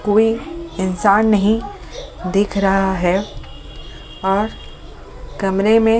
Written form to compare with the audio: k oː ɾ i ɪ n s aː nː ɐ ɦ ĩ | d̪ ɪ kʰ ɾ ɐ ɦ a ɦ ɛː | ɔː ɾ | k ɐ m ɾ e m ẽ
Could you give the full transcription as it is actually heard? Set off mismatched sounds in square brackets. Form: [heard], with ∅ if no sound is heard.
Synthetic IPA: k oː [∅] i ɪ n s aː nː ɐ ɦ ĩ | d̪ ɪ kʰ ɾ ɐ ɦ a ɦ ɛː | ɔː ɾ | k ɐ m ɾ e m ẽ